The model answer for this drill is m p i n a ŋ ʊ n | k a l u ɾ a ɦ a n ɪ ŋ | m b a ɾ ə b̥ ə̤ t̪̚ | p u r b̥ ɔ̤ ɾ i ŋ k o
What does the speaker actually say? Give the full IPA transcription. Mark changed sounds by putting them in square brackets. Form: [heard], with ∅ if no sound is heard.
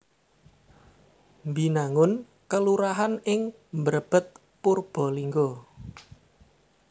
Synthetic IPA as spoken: m [b] i n a ŋ ʊ n | k [ə] l u ɾ a ɦ a n ɪ ŋ | m b [ə] ɾ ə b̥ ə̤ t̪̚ | p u r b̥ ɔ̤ [l] i ŋ [ɡ] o